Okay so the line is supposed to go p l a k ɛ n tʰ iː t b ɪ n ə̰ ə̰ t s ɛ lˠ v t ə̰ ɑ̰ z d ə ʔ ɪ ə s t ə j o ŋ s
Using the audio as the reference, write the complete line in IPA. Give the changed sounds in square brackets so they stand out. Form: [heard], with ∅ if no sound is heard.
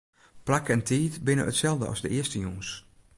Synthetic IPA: p l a k ɛ n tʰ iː t b ɪ n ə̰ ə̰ t s ɛ lˠ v [d] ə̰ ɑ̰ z d ə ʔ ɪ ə s t ə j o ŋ s